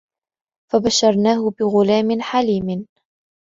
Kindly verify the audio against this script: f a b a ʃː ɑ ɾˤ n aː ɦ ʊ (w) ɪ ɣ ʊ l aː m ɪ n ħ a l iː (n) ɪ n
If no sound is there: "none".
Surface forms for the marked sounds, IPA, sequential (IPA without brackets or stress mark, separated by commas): b, m